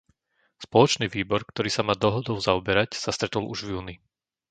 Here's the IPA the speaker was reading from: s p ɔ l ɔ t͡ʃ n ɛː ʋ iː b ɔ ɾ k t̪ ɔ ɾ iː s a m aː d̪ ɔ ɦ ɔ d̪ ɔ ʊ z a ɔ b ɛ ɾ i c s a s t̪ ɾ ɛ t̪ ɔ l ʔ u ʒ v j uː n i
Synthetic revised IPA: s p ɔ l ɔ t͡ʃ n iː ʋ iː b ɔ ɾ k t̪ ɔ ɾ iː s a m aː d̪ ɔ ɦ ɔ d̪ ɔ ʊ z a ɔ b ɛ ɾ a c s a s t̪ ɾ ɛ t̪ ɔ l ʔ u ʒ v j uː n i